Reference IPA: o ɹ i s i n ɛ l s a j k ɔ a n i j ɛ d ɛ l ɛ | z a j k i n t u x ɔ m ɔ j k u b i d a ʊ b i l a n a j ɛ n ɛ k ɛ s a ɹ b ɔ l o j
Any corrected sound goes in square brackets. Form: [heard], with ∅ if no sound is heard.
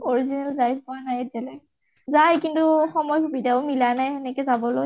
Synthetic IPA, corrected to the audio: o ɹ i [z] i n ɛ l [z] a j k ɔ a n [a] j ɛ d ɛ l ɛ | z a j k i n t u x ɔ m ɔ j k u b i d a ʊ [m] i l a n a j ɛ n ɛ k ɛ [z] a [∅] b ɔ l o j